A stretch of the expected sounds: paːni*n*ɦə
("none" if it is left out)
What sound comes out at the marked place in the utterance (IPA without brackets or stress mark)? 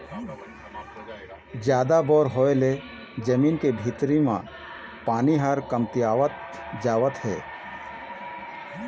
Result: none